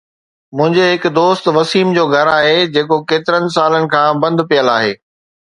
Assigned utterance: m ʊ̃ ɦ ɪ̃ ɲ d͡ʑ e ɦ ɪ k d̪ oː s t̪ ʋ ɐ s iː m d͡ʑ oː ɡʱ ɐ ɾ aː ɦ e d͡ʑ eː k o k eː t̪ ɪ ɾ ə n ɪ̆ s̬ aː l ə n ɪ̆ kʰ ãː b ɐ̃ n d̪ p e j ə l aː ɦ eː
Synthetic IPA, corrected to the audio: m ʊ̃ ɦ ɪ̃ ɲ d͡ʑ e ɦ ɪ k d̪ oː s t̪ ʋ ɐ s iː m d͡ʑ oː ɡʱ ɐ ɾ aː ɦ e d͡ʑ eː k o k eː t̪ ɪ ɾ ə n ɪ̆ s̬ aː l ə n ɪ̆ kʰ ãː b ɐ̃ n d̪ p i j ə l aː ɦ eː